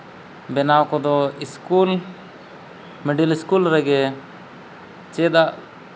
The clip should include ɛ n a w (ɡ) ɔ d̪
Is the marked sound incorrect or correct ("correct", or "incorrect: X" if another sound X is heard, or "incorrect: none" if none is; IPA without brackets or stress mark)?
incorrect: k